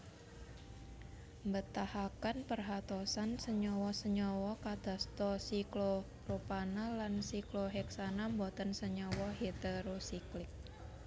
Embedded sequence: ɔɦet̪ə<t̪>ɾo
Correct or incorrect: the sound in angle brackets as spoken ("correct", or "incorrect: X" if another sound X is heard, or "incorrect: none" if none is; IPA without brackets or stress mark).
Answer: incorrect: none